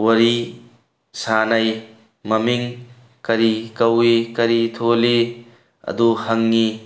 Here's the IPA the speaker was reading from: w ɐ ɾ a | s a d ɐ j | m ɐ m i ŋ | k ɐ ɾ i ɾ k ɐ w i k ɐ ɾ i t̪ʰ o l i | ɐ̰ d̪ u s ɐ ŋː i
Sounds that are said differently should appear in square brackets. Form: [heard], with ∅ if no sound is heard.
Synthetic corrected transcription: w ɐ ɾ [i] | s a [n] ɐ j | m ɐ m i ŋ | k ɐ ɾ i [∅] k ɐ w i k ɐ ɾ i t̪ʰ o l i | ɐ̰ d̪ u [h] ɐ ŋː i